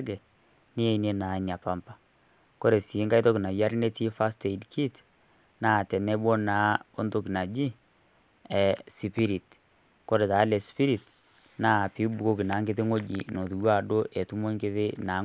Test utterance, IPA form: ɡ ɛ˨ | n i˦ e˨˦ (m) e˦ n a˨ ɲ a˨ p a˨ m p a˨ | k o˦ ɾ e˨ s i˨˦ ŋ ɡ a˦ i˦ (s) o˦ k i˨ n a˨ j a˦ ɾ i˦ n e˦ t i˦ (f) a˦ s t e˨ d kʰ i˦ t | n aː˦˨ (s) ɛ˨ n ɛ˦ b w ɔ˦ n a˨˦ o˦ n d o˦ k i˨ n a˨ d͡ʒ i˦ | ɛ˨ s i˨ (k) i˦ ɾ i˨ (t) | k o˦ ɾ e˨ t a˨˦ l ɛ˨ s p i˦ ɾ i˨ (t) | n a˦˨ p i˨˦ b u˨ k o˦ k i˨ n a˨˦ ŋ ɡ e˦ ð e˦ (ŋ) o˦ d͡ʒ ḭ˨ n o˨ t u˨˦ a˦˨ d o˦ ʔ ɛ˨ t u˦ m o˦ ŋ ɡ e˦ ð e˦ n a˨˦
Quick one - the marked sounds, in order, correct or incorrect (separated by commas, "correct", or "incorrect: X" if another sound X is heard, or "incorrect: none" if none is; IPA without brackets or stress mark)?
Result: incorrect: n, incorrect: t, correct, incorrect: t, incorrect: p, correct, correct, correct